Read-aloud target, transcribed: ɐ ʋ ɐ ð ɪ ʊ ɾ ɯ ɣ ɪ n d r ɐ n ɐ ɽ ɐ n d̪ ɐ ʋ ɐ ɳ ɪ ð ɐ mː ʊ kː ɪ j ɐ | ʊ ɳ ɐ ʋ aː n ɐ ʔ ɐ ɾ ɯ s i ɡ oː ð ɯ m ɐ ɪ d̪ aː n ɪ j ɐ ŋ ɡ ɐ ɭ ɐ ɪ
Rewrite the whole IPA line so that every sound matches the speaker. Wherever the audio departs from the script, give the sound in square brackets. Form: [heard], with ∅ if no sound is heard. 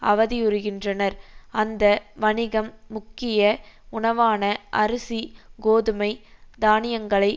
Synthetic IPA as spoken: ɐ ʋ ɐ ð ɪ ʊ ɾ ɯ ɣ ɪ n d r ɐ n ɐ [ɾ] ɐ n d̪ ɐ ʋ ɐ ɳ ɪ [ɣ] ɐ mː ʊ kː ɪ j ɐ | ʊ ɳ ɐ ʋ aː n ɐ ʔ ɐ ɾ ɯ s i ɡ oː ð ɯ m ɐ ɪ d̪ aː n ɪ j ɐ ŋ ɡ ɐ ɭ ɐ ɪ